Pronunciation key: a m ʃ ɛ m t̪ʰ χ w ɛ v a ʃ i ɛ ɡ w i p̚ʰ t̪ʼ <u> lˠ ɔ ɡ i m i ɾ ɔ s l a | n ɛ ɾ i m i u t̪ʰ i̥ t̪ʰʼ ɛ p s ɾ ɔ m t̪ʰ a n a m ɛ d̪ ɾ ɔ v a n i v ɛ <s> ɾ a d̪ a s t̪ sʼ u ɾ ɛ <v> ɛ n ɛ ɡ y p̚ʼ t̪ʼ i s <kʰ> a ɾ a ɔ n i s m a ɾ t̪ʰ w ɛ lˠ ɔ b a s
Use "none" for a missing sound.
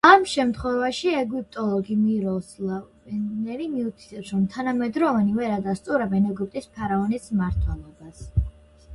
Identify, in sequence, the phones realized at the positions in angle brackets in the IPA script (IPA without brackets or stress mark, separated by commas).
ɔ, none, b, pʰ